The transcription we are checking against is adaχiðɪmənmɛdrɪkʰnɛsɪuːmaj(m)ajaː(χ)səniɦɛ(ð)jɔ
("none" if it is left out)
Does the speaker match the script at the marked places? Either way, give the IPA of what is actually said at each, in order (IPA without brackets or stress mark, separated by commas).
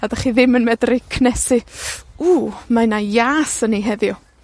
n, none, ð